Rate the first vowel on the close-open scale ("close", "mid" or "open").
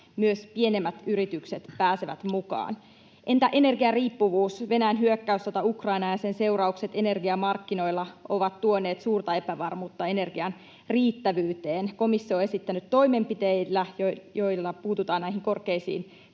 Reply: close